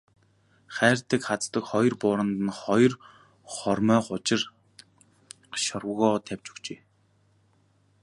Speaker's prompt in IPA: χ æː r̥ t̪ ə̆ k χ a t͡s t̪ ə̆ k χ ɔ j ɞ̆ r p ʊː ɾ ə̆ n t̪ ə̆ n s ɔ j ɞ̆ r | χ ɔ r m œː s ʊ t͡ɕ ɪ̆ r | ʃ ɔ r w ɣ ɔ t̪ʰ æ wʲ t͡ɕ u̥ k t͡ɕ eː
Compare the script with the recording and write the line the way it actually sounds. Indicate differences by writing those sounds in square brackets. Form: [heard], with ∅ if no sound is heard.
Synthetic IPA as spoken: χ æː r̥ t̪ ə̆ k χ a t͡s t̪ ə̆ k χ ɔ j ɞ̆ r p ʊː ɾ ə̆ n t̪ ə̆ n [χ] ɔ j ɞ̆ r | χ ɔ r m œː [χ] ʊ t͡ɕ ɪ̆ r | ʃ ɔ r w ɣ [ɔː] t̪ʰ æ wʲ t͡ɕ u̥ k t͡ɕ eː

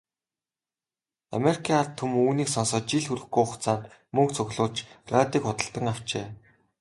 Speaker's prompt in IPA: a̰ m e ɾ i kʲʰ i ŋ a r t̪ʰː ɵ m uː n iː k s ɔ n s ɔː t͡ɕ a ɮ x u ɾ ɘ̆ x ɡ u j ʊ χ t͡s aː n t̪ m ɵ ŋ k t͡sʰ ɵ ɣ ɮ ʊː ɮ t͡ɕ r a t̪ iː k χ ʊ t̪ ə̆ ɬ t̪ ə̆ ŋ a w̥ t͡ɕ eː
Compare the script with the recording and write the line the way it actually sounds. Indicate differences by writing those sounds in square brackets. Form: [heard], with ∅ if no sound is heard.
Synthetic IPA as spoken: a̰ m e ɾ i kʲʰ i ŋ a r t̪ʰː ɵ m uː n iː k s ɔ n s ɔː t͡ɕ [i] ɮ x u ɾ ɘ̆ x ɡ u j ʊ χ t͡s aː n t̪ m ɵ ŋ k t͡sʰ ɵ ɣ ɮ ʊː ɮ t͡ɕ r a t̪ iː k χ ʊ t̪ ə̆ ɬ t̪ ə̆ ŋ a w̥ t͡ɕ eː

